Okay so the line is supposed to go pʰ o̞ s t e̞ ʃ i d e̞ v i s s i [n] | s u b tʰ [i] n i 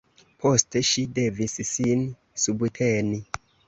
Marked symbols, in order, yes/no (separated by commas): yes, no